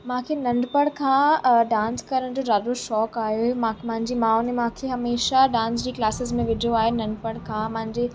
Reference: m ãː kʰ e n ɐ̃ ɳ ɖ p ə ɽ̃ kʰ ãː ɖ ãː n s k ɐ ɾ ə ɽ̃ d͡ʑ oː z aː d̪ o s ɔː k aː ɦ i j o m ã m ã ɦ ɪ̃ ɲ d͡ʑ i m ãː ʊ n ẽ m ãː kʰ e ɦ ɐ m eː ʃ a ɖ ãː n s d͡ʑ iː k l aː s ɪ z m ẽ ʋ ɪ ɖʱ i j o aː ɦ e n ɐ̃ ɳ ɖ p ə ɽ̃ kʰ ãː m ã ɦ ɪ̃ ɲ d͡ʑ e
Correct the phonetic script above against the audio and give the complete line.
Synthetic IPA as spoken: m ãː kʰ e n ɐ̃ ɳ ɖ p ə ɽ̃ kʰ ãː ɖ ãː n s k ɐ ɾ ə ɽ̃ d͡ʑ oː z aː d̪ o ʃ ɔː k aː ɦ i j o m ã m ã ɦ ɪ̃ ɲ d͡ʑ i m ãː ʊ n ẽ m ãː kʰ e ɦ ɐ m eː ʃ a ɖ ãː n s d͡ʑ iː k l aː s ɪ z m ẽ ʋ ɪ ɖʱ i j o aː ɦ e n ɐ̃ ɳ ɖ p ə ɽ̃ kʰ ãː m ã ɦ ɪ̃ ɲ d͡ʑ e